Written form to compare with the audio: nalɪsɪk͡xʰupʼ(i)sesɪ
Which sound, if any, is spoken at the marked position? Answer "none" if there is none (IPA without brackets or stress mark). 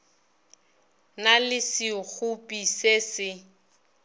i